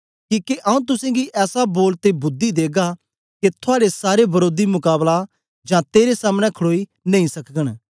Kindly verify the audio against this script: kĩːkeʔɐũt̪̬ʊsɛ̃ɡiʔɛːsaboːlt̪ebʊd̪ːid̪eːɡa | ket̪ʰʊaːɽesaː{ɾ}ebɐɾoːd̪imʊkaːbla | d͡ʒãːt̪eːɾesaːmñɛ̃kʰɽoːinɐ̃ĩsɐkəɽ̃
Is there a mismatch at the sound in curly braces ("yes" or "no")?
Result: no